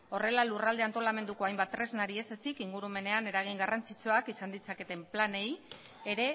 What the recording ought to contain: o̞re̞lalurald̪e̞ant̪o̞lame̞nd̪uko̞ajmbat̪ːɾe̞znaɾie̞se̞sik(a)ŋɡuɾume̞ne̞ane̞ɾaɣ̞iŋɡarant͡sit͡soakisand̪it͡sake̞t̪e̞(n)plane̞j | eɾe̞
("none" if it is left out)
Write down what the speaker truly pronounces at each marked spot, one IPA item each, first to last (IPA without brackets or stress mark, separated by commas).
i, m